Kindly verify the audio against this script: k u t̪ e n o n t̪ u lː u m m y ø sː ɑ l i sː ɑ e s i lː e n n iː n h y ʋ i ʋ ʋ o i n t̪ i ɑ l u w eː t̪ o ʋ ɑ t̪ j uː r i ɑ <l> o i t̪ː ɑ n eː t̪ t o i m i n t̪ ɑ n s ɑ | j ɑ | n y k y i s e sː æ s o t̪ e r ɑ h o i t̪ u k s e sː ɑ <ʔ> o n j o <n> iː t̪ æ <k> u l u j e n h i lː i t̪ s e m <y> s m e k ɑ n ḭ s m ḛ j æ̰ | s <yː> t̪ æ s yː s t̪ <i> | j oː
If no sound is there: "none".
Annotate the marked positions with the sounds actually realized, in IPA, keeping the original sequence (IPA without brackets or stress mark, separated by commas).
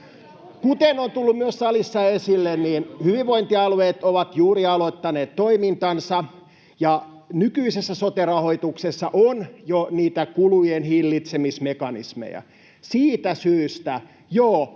l, ʔ, n, k, i, iː, æ